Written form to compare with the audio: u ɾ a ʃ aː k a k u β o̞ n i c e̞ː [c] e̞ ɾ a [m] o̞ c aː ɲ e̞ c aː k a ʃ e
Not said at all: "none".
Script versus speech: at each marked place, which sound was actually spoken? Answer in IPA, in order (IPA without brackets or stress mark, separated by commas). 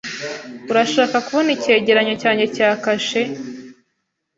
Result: ɟ, ɲ